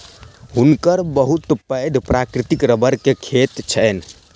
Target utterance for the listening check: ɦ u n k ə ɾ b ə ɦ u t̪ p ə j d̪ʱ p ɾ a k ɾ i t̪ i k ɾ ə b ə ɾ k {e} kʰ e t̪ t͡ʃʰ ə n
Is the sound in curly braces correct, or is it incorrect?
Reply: correct